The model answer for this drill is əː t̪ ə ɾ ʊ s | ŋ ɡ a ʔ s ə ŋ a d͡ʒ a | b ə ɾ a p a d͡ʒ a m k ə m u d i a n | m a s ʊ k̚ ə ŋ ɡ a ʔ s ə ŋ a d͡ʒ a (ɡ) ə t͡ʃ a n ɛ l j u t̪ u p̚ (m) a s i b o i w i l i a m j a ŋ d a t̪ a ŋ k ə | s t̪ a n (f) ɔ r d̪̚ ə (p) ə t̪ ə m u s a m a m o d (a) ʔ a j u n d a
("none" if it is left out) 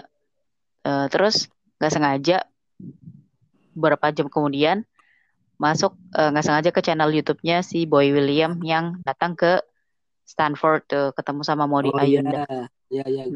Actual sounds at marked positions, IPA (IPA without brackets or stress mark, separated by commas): k, ɲ, f, k, i